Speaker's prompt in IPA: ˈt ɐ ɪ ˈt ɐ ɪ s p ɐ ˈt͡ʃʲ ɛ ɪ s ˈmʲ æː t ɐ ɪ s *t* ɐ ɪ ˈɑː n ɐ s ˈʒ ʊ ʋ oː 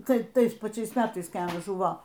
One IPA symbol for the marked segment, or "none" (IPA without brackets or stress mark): k